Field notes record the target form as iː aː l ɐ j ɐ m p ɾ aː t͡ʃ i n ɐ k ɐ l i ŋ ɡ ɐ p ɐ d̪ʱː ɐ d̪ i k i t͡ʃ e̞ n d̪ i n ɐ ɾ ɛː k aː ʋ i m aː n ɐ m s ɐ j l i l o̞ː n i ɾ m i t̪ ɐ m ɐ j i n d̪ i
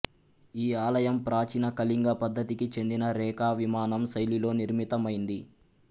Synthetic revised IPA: iː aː l ɐ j ɐ m p ɾ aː t͡ʃ i n ɐ k ɐ l i ŋ ɡ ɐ p ɐ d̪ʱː ɐ t̪ i k i t͡ʃ e̞ n d̪ i n ɐ ɾ ɛː k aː ʋ i m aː n ɐ m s ɐ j l i l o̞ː n i ɾ m i t̪ ɐ m ɐ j i n d̪ i